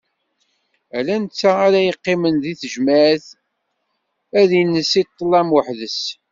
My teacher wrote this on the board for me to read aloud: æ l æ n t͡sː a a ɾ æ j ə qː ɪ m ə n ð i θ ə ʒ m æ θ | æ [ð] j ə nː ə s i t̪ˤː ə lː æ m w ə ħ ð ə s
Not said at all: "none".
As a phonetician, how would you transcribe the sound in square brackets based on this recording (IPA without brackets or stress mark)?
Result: ð